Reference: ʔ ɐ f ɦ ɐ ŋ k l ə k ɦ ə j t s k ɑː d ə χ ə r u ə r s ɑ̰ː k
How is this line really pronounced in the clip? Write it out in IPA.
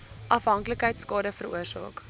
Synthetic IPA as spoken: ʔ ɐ f ɦ ɐ ŋ k l ə k ɦ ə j t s k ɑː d ə f ə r u ə r s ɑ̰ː k